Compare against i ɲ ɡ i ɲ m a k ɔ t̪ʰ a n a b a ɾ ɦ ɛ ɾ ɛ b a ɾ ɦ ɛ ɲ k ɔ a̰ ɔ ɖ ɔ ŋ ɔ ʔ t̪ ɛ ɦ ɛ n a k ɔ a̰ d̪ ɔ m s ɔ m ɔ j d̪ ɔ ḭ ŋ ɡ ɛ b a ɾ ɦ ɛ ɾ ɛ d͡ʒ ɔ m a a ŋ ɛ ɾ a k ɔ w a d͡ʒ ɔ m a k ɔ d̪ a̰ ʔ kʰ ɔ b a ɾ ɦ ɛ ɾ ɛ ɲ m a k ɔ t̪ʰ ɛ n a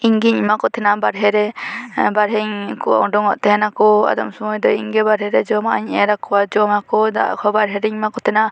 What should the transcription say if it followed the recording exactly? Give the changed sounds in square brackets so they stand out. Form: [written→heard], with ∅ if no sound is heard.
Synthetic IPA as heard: i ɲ ɡ i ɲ m a k ɔ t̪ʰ [a→ɛ] n a b a ɾ ɦ ɛ ɾ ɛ b a ɾ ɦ ɛ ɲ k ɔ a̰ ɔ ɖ ɔ ŋ ɔ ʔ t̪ ɛ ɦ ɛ n a k ɔ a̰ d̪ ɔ m s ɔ m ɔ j d̪ ɔ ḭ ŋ ɡ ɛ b a ɾ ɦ ɛ ɾ ɛ d͡ʒ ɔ m a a [ŋ→ɲ] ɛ ɾ a k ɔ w a d͡ʒ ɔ m a k ɔ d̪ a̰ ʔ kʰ ɔ b a ɾ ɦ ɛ ɾ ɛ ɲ m a k ɔ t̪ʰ ɛ n a